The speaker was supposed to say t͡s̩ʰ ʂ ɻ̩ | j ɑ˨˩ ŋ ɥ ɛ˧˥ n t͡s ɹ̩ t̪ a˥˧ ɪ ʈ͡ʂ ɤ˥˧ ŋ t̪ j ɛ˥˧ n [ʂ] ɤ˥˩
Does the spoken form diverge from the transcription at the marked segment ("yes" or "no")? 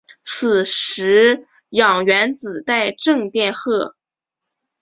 yes